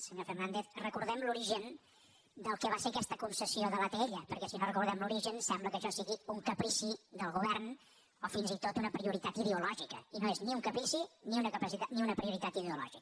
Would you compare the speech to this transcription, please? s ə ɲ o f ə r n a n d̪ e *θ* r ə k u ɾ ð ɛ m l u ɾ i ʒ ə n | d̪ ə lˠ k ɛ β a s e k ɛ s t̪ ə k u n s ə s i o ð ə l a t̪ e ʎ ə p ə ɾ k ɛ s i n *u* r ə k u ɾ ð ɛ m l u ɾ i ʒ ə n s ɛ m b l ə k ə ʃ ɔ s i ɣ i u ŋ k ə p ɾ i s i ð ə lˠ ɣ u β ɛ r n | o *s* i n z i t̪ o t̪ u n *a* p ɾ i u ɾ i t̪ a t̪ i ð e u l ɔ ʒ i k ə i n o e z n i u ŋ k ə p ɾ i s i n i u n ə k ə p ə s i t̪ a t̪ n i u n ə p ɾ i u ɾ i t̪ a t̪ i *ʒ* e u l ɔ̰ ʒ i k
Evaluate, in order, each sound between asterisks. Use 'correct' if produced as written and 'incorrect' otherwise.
correct, incorrect: o, incorrect: f, incorrect: ə, incorrect: ð

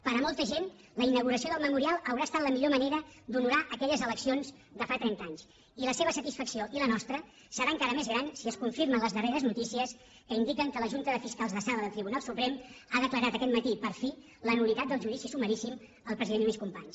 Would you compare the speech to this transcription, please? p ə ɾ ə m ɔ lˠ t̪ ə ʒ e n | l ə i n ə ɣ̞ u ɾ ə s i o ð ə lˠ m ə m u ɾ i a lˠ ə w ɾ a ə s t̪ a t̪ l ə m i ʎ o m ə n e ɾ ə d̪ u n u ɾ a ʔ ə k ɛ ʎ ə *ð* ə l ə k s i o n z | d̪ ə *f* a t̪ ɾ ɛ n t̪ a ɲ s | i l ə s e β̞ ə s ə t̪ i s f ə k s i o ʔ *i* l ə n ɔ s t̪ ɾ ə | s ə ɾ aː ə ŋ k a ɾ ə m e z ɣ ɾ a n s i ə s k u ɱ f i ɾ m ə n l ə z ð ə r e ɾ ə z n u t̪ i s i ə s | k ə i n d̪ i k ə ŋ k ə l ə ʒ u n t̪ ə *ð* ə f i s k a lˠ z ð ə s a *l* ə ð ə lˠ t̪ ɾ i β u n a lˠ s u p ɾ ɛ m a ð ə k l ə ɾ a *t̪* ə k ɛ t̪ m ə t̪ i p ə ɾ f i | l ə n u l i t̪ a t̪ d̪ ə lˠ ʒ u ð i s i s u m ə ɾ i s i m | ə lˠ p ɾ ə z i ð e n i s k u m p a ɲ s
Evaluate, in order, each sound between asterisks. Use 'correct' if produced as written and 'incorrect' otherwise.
incorrect: z, correct, correct, correct, correct, correct

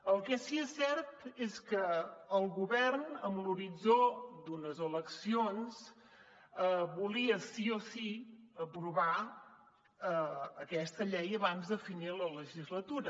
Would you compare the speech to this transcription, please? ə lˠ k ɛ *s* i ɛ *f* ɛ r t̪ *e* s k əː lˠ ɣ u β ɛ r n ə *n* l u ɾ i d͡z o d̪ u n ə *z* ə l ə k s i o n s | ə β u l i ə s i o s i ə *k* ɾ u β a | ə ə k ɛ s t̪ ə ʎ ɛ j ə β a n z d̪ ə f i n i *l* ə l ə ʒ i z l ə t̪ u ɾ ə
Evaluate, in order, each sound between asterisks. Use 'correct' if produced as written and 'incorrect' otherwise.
correct, incorrect: s, correct, incorrect: m, correct, incorrect: p, correct

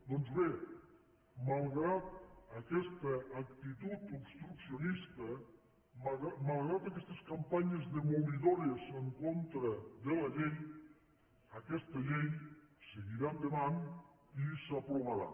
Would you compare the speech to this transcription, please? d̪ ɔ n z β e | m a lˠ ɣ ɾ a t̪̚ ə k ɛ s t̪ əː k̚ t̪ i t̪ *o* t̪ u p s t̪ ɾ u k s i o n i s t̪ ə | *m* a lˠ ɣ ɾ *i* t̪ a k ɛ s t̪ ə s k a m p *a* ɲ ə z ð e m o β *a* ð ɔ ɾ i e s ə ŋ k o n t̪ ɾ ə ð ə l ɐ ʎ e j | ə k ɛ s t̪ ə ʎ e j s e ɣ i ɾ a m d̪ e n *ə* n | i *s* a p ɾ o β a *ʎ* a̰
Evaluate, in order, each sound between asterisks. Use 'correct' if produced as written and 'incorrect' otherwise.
incorrect: u, correct, incorrect: a, correct, incorrect: i, incorrect: a, correct, incorrect: ɾ

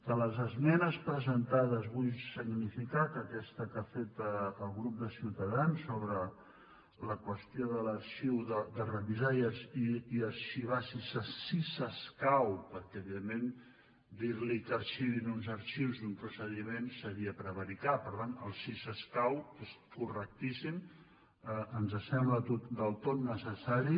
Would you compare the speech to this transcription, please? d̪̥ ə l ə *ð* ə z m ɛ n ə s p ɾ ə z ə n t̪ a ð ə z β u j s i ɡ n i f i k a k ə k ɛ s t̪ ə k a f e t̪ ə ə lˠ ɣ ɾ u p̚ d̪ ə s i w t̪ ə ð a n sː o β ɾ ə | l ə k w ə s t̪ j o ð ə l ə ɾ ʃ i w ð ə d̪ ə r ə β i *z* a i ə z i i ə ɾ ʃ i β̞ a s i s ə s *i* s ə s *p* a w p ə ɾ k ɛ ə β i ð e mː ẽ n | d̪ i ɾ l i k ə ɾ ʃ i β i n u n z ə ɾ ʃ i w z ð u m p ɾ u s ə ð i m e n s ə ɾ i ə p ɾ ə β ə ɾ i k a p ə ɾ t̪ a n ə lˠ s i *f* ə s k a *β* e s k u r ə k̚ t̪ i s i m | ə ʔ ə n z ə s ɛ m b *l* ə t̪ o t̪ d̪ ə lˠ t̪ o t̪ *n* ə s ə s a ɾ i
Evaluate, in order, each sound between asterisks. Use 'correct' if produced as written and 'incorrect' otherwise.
incorrect: z, correct, correct, incorrect: k, incorrect: s, incorrect: w, correct, correct

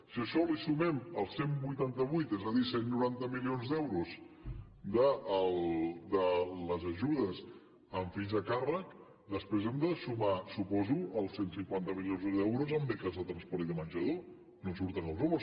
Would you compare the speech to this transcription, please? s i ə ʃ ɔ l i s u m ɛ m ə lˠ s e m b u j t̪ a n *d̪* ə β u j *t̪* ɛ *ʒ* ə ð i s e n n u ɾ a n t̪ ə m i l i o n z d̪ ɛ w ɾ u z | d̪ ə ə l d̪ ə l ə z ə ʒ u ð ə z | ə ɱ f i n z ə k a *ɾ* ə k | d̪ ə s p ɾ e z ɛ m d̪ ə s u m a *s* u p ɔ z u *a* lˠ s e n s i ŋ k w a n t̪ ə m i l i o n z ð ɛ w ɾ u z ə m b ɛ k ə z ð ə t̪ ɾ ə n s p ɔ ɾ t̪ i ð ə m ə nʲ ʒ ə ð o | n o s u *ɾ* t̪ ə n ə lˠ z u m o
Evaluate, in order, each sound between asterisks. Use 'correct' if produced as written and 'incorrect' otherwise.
incorrect: t̪, correct, incorrect: z, incorrect: r, correct, incorrect: ə, correct

